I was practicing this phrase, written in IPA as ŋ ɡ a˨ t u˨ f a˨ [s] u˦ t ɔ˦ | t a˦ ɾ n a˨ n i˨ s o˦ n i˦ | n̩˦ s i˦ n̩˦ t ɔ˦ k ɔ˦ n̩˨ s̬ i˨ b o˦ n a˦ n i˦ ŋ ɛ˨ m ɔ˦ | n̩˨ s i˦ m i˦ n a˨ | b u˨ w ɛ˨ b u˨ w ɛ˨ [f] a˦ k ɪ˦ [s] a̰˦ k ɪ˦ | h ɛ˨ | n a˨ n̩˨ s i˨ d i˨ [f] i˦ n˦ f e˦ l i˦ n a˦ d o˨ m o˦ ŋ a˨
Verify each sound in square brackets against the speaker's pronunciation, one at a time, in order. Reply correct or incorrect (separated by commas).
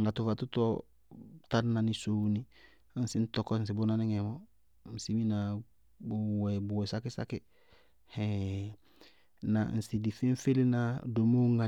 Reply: incorrect, incorrect, correct, correct